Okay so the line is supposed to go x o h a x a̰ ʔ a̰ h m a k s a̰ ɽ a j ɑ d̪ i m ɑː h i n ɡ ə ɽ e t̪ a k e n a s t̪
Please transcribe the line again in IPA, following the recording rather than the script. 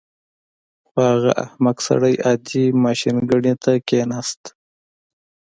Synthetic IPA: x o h a ɣ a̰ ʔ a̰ h m a k s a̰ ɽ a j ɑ d̪ i m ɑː ʃ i n ɡ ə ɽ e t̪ a k e n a s t̪